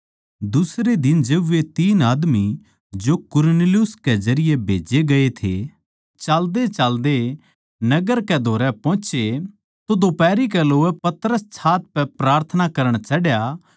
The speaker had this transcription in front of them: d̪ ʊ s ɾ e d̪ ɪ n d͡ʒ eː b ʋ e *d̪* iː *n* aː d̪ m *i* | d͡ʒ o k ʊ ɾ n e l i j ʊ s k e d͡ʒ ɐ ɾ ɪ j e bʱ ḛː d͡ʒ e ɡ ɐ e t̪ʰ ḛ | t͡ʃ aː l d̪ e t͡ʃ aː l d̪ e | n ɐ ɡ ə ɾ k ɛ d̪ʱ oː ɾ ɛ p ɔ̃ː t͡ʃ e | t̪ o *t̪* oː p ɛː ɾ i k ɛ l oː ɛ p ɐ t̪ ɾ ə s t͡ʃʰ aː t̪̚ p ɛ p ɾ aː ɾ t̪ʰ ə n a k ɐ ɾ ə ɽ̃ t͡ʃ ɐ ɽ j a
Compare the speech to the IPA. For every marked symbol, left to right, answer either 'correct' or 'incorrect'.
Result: incorrect, correct, correct, incorrect

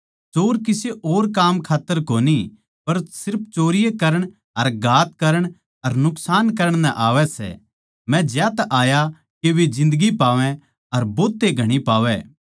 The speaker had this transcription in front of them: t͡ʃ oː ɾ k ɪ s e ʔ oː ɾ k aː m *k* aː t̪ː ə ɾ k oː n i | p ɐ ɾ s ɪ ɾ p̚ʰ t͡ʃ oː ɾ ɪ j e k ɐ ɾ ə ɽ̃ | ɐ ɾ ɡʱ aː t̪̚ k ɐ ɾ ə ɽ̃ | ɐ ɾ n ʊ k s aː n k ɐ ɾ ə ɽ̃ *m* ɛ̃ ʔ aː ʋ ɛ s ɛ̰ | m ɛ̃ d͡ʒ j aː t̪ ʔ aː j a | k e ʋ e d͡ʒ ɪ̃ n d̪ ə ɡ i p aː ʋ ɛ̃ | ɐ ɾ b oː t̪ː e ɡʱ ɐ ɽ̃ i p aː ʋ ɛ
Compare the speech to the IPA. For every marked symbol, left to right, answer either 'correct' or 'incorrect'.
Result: incorrect, incorrect

